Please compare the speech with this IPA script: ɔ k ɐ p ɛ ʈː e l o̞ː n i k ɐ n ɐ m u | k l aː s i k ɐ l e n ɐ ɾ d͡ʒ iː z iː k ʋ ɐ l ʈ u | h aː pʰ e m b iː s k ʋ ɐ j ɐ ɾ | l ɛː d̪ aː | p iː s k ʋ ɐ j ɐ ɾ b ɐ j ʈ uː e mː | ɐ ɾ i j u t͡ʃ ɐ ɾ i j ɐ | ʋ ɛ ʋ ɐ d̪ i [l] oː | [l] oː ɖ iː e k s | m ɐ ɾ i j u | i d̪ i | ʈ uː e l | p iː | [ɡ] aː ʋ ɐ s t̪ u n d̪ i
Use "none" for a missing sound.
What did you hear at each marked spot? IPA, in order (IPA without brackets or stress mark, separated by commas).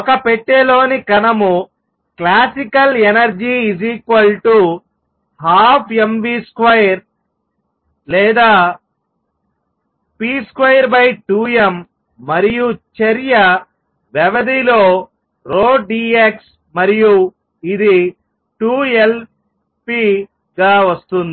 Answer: l, ɾ, ɡ